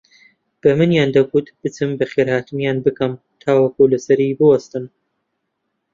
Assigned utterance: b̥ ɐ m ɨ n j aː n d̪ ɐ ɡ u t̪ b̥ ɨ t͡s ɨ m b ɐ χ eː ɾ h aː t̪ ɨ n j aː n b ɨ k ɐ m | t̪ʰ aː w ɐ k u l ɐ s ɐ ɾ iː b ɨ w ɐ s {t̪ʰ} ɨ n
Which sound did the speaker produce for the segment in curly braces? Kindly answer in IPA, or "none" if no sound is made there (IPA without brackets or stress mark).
t̪